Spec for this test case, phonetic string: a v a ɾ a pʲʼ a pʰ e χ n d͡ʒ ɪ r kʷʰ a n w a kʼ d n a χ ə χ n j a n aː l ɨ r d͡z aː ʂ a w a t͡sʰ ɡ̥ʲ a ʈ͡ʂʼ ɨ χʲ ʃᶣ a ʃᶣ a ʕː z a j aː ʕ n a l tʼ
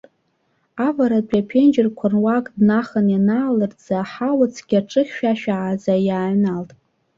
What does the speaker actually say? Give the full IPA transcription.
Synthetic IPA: a v a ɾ a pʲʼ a pʰ e n d͡ʒ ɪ r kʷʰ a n w a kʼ d n a χ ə n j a n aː l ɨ r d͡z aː ħ a w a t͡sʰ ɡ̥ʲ a ʈ͡ʂʼ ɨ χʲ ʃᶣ a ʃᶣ a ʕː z a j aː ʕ n a l tʼ

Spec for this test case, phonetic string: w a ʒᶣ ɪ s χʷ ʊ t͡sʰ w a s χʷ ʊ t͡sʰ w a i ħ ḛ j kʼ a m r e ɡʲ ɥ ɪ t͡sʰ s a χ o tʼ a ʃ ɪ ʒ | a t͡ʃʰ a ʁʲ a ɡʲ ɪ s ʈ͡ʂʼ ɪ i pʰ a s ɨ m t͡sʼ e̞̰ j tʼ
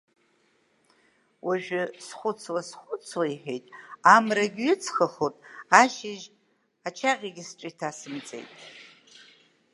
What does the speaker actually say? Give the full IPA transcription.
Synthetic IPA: w a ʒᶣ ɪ s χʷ ʊ t͡sʰ w a s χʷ ʊ t͡sʰ w a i ħ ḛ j tʼ a m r a ɡʲ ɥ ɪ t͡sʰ χ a χ o tʼ a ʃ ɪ ʒ | a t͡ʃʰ a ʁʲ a ɡʲ ɪ s ʈ͡ʂʼ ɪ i tʰ a s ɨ m t͡sʼ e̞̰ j tʼ

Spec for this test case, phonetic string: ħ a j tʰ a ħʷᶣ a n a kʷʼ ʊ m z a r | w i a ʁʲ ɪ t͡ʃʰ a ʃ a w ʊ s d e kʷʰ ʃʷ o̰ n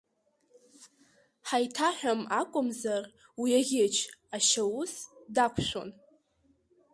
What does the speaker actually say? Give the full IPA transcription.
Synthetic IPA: ħ a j tʰ a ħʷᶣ a m a kʷʼ ʊ m z a r | w i a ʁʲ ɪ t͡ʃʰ a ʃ a w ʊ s d a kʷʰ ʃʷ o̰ n

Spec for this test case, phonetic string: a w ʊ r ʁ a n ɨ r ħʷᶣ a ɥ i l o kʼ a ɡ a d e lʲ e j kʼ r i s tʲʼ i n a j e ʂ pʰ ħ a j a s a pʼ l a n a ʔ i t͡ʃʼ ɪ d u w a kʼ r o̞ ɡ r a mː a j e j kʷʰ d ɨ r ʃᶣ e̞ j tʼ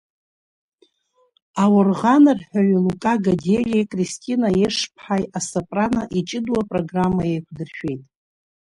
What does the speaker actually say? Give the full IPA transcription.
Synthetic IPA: a w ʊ r ʁ a n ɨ r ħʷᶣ a ɥ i l u kʼ a ɡ a d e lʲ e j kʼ r i s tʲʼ i n a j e ʂ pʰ ħ a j a s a pʼ r a n a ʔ i t͡ʃʼ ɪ d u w a pʼ r o̞ ɡ r a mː a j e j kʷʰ d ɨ r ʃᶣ e̞ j tʼ

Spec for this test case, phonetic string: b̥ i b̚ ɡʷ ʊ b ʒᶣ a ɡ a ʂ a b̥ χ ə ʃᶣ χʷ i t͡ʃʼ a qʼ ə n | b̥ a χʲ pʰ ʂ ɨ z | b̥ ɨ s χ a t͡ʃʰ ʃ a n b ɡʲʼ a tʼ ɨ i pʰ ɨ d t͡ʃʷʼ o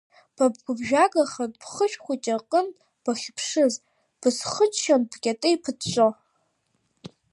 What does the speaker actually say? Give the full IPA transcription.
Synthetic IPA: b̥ a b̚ ɡʷ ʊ b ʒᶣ a ɡ a χ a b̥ χ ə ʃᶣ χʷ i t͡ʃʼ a qʼ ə n | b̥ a χʲ pʰ ʂ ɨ z | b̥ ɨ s χ ə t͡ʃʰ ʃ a n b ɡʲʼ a tʼ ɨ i pʰ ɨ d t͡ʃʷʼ o

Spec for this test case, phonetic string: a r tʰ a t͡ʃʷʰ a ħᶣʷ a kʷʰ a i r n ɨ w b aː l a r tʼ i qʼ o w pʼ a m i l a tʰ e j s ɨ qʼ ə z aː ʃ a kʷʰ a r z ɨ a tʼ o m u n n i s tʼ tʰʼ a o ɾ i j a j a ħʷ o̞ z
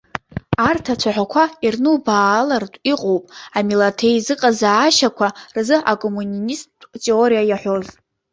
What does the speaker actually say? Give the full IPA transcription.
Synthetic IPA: a r tʰ a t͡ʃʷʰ a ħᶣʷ a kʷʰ a i r n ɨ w b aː l a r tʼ i qʼ o w pʼ a m i l a tʰ e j z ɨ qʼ a z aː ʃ a kʷʰ a r z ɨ a kʼ o m u n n i s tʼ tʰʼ e o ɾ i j a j a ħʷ o̞ z

